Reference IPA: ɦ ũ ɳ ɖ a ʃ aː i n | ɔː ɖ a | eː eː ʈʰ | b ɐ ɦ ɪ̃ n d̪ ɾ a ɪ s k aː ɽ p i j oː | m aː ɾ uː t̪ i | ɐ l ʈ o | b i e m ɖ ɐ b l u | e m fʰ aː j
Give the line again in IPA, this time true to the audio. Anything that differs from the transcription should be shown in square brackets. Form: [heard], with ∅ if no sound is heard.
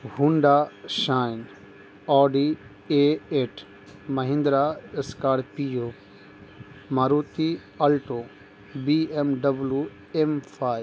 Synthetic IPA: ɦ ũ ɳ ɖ a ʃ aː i n | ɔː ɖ [i] | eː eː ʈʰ | [m] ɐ ɦ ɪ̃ n d̪ ɾ a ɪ s k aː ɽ p i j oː | m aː ɾ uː t̪ i | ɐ l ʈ o | b i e m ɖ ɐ b l u | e m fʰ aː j